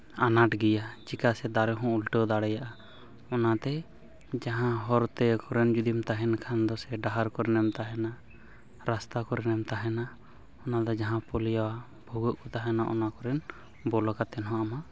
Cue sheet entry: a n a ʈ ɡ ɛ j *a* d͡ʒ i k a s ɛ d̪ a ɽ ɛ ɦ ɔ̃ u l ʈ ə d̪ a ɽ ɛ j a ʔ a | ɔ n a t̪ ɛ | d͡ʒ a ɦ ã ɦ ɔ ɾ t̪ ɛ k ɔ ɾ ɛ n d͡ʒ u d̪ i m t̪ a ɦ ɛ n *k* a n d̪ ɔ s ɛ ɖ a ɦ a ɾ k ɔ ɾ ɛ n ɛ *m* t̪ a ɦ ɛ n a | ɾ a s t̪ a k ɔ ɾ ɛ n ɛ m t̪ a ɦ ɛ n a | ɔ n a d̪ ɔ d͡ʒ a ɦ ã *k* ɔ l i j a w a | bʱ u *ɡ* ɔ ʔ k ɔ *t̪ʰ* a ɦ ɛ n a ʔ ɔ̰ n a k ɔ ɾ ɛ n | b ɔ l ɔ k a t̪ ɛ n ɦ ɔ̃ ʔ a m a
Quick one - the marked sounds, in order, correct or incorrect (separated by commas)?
correct, incorrect, correct, incorrect, correct, incorrect